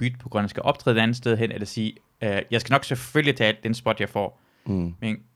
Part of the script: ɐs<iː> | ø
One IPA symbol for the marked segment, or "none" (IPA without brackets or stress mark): iː